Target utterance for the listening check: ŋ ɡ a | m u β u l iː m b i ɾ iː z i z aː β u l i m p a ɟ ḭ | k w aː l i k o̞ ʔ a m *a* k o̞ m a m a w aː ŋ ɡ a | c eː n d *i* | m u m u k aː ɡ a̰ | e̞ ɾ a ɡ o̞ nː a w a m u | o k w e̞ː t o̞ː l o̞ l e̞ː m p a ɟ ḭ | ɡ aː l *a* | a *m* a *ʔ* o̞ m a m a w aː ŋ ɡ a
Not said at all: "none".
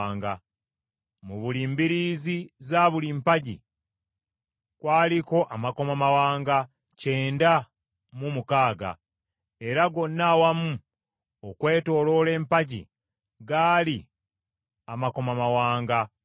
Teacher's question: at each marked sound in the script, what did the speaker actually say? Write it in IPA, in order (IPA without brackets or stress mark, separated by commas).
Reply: a, a, i, m, k